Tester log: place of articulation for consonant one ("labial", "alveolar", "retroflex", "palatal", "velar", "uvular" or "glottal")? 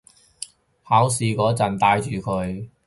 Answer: glottal